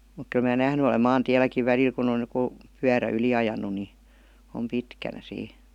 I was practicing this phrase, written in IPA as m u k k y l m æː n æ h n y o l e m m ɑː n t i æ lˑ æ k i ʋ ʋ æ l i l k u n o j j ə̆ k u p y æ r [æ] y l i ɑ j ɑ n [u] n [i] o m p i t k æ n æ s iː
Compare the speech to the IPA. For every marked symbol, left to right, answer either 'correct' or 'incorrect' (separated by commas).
correct, correct, correct